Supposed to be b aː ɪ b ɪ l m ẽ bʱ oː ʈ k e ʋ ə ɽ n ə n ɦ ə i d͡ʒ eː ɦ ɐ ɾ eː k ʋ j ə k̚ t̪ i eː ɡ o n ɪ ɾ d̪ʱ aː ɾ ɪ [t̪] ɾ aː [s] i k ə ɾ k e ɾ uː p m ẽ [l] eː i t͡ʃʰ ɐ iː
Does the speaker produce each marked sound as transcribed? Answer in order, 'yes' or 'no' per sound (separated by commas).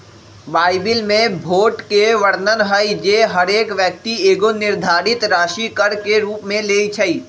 yes, no, yes